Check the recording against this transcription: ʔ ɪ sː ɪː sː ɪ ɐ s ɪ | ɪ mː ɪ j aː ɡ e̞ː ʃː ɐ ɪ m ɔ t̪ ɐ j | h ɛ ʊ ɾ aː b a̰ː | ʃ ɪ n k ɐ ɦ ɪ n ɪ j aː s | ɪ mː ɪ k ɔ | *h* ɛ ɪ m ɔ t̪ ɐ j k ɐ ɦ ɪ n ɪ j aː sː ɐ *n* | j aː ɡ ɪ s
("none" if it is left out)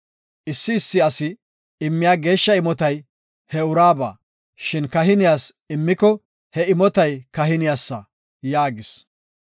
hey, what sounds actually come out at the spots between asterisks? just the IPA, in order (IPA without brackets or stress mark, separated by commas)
h, none